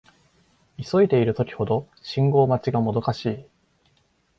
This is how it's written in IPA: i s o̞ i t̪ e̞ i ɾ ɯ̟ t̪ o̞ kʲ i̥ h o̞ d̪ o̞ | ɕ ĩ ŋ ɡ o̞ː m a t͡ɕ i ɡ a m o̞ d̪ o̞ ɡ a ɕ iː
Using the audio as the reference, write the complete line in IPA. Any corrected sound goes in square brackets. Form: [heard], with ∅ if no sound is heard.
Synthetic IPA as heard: i s o̞ i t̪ e̞ i ɾ ɯ̟ t̪ o̞ kʲ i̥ h o̞ d̪ o̞ | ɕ ĩ ŋ ɡ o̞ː m a t͡ɕ i ɡ a m o̞ d̪ o̞ [k] a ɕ iː